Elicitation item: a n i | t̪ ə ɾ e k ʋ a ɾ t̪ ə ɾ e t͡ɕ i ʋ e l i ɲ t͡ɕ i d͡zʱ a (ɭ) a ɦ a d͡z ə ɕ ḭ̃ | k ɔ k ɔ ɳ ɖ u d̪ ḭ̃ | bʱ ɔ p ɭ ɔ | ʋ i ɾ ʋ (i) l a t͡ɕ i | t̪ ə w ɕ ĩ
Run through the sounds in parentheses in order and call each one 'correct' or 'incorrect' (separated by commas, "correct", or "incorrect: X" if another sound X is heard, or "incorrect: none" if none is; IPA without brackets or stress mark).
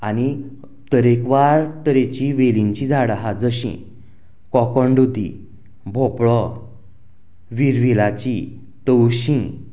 incorrect: ɽ, correct